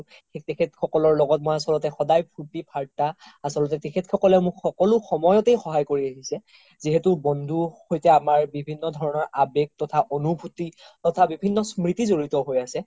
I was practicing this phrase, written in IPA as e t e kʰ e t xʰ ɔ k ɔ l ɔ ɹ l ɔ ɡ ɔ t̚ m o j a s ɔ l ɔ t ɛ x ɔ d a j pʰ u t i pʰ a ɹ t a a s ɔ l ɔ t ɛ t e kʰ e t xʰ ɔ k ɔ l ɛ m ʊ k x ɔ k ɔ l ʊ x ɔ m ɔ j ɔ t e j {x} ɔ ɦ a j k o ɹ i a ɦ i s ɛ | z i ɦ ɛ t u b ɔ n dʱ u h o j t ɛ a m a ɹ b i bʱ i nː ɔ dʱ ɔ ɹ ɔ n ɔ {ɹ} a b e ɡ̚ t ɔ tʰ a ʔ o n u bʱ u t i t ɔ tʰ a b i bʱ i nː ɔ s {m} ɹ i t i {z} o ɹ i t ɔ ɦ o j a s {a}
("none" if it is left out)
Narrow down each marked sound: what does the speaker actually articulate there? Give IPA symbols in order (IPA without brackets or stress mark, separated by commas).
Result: x, ɹ, m, z, ɛ